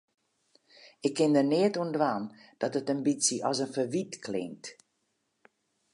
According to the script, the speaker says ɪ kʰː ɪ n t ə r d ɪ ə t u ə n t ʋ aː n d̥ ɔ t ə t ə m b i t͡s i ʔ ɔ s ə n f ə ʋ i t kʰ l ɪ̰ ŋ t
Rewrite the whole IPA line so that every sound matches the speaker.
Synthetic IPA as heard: ɪ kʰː ɪ n d ə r n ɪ ə t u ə n d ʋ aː n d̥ ɔ t ə t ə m b i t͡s i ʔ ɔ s ə n f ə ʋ i t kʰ l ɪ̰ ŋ t